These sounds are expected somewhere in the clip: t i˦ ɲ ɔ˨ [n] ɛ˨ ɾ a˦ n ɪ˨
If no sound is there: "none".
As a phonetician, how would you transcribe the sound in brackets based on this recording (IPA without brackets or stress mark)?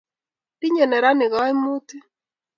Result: n